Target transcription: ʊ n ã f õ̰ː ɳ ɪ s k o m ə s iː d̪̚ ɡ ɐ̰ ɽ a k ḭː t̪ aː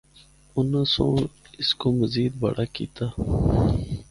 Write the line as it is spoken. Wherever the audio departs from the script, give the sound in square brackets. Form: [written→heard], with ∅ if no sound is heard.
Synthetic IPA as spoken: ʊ n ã [f→s] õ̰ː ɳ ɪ s k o m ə [s→z] iː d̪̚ [ɡ→b] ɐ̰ ɽ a k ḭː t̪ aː